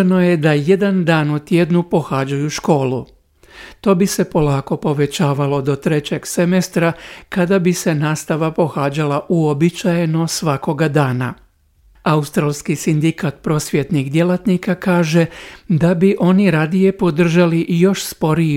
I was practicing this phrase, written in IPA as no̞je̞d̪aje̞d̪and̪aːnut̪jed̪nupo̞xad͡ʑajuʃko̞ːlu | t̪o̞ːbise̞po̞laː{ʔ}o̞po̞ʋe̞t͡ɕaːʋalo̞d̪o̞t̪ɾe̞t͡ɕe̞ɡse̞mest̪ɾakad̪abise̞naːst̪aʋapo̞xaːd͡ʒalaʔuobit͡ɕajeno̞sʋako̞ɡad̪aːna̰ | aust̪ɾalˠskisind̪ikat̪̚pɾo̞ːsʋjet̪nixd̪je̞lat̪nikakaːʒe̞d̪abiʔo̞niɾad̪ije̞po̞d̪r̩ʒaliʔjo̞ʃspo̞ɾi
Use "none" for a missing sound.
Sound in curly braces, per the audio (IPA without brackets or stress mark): k